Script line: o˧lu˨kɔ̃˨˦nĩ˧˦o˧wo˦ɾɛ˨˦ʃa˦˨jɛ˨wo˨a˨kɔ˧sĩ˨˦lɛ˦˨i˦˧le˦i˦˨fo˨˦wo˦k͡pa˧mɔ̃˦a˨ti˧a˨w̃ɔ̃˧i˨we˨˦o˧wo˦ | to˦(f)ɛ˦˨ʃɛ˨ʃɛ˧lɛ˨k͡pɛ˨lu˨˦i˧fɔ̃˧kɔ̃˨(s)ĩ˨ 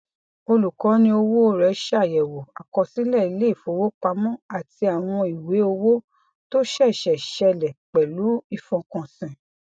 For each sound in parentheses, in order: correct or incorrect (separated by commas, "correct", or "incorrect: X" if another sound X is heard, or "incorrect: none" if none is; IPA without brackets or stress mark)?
incorrect: ʃ, correct